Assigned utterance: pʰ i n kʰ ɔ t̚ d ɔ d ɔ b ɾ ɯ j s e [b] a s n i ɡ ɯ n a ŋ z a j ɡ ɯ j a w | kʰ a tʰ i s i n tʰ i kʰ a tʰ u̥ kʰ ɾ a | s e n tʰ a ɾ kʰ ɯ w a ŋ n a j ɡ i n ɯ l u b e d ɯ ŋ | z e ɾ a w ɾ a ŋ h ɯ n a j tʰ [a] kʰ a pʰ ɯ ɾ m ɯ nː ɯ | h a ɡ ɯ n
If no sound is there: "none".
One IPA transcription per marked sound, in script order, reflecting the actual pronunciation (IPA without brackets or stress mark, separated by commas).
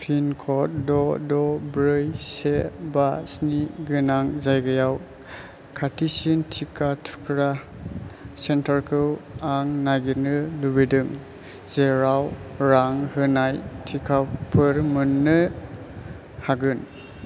b, i